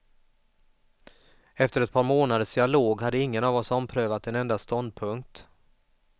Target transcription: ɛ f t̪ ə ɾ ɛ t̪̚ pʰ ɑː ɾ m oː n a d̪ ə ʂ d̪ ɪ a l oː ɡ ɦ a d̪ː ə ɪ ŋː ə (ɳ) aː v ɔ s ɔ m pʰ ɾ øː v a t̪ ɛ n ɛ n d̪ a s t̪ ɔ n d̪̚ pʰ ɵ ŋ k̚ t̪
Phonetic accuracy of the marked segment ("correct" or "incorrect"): incorrect